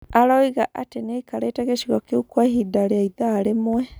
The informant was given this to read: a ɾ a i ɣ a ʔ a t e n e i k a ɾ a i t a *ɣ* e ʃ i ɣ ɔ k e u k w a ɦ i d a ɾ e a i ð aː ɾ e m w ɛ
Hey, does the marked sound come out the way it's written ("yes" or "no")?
yes